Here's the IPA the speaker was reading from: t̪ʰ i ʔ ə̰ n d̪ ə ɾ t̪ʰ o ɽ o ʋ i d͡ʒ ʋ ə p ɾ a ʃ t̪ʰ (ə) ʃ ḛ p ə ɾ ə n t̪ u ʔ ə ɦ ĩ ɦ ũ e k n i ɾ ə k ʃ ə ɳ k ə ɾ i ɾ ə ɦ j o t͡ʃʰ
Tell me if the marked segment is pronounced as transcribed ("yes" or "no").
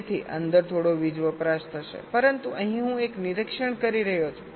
yes